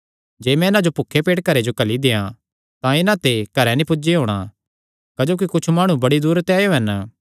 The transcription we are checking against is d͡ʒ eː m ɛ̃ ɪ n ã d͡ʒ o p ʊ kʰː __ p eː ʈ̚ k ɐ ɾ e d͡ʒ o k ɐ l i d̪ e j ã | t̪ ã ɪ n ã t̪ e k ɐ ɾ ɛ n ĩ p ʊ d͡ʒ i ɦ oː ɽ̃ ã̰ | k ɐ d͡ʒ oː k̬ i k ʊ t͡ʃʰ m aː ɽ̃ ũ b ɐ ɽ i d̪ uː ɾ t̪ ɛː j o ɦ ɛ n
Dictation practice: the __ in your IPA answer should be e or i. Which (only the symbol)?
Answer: e